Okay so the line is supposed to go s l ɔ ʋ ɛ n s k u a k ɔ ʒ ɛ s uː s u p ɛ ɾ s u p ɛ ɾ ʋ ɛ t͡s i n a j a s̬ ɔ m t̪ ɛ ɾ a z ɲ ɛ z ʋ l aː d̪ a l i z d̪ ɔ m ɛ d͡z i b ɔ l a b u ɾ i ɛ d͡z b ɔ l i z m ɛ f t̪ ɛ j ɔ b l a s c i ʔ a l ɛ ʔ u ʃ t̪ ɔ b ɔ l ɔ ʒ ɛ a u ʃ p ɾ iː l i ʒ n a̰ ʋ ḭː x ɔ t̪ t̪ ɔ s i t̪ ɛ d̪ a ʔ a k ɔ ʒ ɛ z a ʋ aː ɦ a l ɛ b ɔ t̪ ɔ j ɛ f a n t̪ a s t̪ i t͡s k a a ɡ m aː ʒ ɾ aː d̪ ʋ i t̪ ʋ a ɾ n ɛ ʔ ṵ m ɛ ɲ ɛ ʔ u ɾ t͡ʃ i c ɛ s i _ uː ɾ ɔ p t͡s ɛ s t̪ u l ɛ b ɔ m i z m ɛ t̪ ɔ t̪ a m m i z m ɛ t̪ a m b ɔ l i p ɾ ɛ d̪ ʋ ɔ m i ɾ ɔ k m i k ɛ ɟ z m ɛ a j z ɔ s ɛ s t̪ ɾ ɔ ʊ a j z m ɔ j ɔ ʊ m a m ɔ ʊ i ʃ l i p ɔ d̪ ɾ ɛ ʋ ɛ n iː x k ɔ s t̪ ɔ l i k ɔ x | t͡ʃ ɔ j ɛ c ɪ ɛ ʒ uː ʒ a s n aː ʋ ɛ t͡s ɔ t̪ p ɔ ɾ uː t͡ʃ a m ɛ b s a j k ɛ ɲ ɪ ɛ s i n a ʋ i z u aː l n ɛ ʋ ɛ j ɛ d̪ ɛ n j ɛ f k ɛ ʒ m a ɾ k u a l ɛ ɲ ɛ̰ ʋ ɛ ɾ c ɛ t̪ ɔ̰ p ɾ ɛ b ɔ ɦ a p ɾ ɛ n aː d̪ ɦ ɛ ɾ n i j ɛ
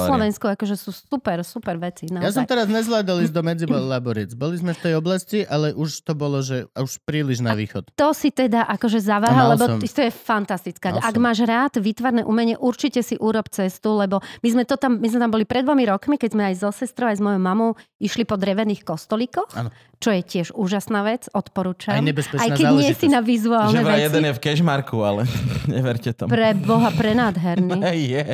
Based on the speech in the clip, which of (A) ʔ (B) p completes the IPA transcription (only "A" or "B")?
A